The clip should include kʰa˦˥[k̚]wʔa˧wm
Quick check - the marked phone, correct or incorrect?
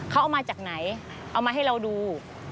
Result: incorrect